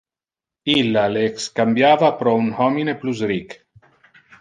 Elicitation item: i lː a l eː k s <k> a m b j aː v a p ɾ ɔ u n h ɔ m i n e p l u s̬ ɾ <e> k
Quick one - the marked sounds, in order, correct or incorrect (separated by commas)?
correct, incorrect